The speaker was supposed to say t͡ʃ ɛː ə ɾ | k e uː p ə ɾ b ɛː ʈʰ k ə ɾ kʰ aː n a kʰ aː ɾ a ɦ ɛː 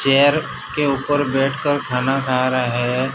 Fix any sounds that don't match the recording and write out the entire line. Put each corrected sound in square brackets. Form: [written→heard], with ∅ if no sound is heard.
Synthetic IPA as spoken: t͡ʃ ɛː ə ɾ | k e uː p ə ɾ b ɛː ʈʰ k ə ɾ kʰ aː n a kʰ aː ɾ a ɦ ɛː